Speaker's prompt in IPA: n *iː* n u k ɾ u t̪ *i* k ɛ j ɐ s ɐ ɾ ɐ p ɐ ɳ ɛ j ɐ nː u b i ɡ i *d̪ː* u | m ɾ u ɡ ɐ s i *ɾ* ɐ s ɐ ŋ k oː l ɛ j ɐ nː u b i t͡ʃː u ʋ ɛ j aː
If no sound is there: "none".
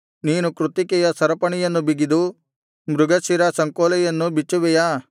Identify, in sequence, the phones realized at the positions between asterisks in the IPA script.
iː, i, d̪, ɾ

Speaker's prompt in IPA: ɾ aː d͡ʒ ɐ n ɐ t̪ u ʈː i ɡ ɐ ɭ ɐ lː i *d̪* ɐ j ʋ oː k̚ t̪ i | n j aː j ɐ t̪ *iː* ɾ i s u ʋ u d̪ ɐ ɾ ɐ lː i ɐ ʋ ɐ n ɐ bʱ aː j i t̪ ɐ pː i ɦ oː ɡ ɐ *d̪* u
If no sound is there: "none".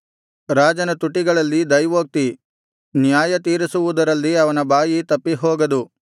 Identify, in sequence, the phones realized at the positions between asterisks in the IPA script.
d̪, iː, d̪

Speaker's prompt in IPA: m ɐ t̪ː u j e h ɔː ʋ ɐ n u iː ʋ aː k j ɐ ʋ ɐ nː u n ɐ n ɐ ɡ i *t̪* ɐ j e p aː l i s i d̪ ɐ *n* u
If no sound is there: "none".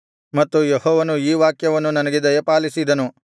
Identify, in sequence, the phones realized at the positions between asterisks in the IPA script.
d̪, n

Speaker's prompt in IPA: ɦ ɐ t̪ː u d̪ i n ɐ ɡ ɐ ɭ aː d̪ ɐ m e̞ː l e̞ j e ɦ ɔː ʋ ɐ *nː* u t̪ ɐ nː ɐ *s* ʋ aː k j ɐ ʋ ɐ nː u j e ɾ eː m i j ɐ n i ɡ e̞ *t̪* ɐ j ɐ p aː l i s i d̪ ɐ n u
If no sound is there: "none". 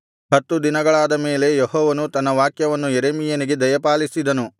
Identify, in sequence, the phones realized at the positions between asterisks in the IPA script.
n, none, d̪

